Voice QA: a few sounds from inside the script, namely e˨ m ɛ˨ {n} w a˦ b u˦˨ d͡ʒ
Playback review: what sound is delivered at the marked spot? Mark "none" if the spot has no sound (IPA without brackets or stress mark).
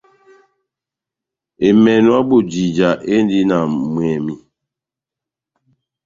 n